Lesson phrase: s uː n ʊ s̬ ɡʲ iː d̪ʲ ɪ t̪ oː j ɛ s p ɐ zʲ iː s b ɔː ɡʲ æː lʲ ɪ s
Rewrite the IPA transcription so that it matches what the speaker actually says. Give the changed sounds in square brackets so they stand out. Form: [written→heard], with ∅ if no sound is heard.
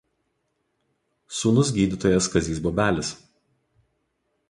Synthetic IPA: s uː n ʊ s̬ ɡʲ iː d̪ʲ ɪ t̪ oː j ɛ s [p→k] ɐ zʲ iː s b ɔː [ɡʲ→bʲ] æː lʲ ɪ s